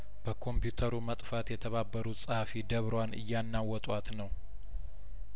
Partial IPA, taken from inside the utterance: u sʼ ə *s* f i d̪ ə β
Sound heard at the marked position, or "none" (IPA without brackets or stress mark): h